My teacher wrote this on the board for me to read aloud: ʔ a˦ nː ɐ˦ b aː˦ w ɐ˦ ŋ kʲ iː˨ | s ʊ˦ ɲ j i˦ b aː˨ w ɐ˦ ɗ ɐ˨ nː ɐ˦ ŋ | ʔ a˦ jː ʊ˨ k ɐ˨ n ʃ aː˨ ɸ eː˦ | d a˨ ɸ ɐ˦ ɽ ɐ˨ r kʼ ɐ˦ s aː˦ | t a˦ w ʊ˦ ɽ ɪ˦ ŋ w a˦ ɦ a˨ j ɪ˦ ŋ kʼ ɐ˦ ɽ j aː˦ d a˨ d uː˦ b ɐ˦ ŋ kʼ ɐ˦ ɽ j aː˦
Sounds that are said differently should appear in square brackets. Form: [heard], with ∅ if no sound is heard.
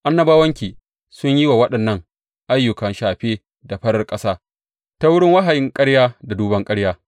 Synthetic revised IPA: ʔ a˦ nː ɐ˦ b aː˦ w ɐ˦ ŋ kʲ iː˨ | s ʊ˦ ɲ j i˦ [w] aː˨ w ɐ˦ ɗ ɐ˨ nː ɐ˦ ŋ | ʔ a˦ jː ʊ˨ k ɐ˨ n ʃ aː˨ ɸ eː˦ | d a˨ ɸ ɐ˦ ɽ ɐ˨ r kʼ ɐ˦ s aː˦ | t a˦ w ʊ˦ ɽ ɪ˦ ŋ w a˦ ɦ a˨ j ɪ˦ ŋ kʼ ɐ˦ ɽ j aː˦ d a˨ d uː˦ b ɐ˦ ŋ kʼ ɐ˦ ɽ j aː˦

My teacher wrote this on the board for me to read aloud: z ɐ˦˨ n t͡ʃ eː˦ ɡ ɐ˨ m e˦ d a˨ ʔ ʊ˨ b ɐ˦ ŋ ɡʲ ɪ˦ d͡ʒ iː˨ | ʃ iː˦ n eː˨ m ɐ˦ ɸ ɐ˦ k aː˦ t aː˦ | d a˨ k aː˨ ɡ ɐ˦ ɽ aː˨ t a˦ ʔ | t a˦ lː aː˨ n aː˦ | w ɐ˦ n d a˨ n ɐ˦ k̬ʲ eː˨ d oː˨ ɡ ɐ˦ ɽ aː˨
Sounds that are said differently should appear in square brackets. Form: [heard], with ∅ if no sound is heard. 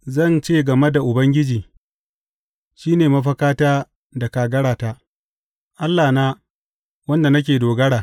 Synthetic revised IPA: z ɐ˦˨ n t͡ʃ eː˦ ɡ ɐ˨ m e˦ d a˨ ʔ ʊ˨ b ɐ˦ ŋ ɡʲ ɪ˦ d͡ʒ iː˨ | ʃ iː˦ n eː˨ m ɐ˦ ɸ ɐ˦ k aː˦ t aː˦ | d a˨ k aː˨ ɡ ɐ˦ ɽ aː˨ t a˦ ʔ | [ʔ] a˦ lː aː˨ n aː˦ | w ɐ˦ n d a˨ n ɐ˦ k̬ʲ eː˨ d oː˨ ɡ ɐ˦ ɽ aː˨

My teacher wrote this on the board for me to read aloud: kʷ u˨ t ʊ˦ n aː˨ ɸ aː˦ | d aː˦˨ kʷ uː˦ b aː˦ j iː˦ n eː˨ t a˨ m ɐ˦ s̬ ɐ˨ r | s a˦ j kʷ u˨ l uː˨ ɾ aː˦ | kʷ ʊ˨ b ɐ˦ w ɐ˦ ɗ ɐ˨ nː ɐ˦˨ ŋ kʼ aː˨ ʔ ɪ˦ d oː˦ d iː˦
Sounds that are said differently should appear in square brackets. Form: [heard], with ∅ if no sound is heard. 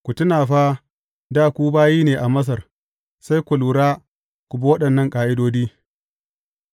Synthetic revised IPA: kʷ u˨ t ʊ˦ n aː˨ ɸ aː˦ | d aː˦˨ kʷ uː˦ b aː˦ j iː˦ n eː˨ [ʔ] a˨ m ɐ˦ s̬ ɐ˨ r | s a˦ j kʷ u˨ l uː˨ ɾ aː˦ | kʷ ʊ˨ b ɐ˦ w ɐ˦ ɗ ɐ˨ nː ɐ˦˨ ŋ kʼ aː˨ ʔ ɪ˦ d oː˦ d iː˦

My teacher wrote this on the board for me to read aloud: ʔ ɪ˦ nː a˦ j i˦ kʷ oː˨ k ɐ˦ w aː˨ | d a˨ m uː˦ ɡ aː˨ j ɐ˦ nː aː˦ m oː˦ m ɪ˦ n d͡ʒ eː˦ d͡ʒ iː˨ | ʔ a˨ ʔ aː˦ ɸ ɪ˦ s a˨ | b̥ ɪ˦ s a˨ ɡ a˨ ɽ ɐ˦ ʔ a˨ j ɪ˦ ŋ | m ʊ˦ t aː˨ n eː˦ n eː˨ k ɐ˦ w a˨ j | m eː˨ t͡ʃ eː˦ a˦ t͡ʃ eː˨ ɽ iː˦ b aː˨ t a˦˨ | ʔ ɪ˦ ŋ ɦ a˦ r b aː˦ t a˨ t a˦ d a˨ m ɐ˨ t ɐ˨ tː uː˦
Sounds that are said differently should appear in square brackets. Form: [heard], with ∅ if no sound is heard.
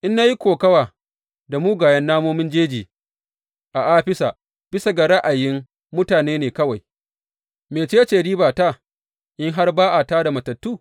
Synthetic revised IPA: ʔ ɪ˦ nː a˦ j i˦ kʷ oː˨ k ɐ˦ w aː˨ | d a˨ m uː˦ ɡ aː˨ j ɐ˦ nː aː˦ m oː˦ m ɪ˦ n d͡ʒ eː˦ d͡ʒ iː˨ | ʔ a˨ ʔ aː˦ ɸ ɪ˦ s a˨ | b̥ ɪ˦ s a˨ ɡ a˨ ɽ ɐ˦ ʔ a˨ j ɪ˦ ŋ | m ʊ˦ t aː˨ n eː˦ n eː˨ k ɐ˦ w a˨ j | m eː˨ t͡ʃ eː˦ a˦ t͡ʃ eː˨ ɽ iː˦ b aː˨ t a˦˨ | ʔ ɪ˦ ŋ ɦ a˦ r b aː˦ [ʔ] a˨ t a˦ d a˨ m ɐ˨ t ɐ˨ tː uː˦

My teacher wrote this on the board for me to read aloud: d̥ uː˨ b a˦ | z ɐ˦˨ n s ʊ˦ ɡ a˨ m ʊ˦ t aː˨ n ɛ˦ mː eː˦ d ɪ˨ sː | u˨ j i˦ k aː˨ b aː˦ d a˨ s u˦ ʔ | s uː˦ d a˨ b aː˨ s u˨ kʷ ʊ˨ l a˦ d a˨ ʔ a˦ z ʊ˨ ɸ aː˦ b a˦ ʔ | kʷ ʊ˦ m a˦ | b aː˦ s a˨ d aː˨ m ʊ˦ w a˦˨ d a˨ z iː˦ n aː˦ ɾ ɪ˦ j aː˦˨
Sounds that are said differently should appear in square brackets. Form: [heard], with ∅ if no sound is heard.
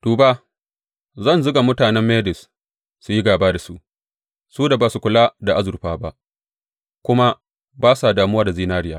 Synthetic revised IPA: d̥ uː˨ b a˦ | z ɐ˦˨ n [z] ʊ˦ ɡ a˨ m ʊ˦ t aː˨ n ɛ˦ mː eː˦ d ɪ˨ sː | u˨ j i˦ [ɡ] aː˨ b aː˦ d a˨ s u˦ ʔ | s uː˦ d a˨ b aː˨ s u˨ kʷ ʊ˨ l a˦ d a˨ ʔ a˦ z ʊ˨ ɸ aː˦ b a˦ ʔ | kʷ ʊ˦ m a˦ | b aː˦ s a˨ d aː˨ m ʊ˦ w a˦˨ d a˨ z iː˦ n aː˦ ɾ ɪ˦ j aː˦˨

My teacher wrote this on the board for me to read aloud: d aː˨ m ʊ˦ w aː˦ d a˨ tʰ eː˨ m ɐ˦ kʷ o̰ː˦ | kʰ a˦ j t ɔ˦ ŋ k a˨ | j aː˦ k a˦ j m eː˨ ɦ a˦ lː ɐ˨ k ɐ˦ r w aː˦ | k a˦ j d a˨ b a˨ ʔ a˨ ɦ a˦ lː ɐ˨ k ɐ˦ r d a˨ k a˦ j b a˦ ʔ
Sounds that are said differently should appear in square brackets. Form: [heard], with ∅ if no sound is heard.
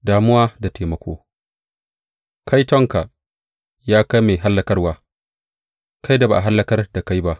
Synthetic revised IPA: d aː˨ m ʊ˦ w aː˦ d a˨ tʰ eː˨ m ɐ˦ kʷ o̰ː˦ | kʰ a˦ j t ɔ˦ ŋ k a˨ | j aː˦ k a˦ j m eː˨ ɦ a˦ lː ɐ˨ k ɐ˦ r w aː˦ | k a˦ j d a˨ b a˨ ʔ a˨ ɦ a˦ lː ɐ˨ k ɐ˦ r d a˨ k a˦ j b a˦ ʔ

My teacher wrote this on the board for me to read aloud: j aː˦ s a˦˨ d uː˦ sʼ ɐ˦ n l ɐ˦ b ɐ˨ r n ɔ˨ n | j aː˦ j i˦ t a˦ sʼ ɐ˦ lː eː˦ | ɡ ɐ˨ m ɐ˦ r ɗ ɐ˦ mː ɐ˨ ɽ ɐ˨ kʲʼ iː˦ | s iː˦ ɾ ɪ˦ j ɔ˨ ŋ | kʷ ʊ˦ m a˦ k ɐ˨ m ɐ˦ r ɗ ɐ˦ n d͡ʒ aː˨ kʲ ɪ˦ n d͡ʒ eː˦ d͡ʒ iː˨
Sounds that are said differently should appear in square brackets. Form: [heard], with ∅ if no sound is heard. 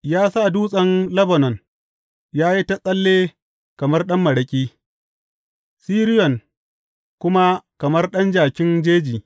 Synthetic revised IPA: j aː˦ s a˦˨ d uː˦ sʼ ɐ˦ n l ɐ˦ b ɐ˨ [∅] n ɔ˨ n | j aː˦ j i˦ t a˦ sʼ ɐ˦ lː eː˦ | [k] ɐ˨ m ɐ˦ r ɗ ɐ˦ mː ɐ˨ ɽ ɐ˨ kʲʼ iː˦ | s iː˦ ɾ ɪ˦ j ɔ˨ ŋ | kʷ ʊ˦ m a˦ k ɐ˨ m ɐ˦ r ɗ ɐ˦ n d͡ʒ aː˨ kʲ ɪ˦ n d͡ʒ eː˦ d͡ʒ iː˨

